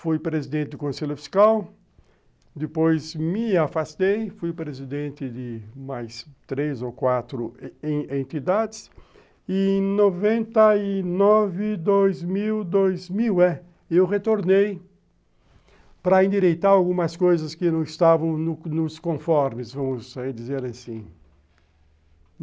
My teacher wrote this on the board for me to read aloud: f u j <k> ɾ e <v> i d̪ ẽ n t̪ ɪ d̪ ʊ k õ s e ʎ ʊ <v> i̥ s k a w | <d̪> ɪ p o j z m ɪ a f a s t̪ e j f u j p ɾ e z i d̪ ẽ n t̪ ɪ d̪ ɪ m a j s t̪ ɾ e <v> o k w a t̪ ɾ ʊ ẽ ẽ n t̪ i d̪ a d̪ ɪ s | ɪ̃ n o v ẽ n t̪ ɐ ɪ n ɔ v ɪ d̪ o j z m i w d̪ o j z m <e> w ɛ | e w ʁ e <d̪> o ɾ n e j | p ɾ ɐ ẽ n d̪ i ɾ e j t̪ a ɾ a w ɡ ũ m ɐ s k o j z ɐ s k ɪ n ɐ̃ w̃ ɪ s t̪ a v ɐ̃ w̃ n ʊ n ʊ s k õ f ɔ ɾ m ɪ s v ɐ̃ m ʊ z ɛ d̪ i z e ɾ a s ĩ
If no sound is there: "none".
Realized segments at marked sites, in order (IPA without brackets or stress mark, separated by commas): p, z, f, d̪, z, i, t̪